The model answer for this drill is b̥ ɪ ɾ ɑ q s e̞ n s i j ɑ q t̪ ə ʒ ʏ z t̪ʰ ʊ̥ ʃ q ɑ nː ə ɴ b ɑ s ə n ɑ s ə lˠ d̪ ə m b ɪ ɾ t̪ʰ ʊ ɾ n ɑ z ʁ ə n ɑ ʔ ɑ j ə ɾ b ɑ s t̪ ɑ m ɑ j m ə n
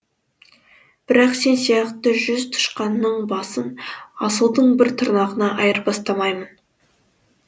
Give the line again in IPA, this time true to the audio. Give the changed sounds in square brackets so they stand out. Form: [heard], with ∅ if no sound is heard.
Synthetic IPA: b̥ ɪ ɾ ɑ q s e̞ n s i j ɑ q t̪ ə ʒ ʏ z t̪ʰ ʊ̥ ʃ q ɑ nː ə ɴ b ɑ s ə n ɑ s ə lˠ d̪ ə [ɴ] b ɪ ɾ t̪ʰ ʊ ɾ n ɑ [∅] ʁ ə n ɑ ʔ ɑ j ə ɾ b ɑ s t̪ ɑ m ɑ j m ə n